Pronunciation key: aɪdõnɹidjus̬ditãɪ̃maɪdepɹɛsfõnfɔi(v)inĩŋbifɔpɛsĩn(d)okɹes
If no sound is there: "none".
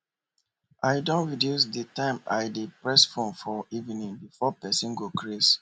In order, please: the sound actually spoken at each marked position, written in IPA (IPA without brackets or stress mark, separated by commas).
v, ɡ